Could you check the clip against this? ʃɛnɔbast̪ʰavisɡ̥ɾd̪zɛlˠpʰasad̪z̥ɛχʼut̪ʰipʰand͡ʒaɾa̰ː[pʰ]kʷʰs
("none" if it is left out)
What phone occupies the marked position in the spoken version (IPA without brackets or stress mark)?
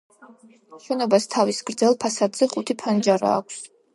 none